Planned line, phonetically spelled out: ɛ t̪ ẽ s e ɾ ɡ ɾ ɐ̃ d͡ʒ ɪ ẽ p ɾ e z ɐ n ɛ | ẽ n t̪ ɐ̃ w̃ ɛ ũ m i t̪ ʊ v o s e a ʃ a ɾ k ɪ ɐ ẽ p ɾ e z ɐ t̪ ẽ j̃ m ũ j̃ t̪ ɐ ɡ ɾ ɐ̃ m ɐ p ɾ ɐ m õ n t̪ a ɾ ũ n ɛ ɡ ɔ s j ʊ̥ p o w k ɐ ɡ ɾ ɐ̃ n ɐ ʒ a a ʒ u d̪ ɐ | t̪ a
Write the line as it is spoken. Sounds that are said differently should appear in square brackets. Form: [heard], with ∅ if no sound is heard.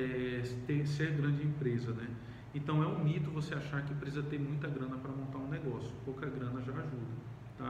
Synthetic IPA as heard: ɛ t̪ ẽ s e ɾ ɡ ɾ ɐ̃ d͡ʒ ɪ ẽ p ɾ e z ɐ n ɛ | ẽ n t̪ ɐ̃ w̃ ɛ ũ m i t̪ ʊ v o s e a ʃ a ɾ k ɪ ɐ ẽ p ɾ e z ɐ t̪ ẽ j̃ m ũ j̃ t̪ ɐ ɡ ɾ ɐ̃ [n] ɐ p ɾ ɐ m õ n t̪ a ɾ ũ n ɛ ɡ ɔ s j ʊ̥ p o w k ɐ ɡ ɾ ɐ̃ n ɐ ʒ a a ʒ u d̪ ɐ | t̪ a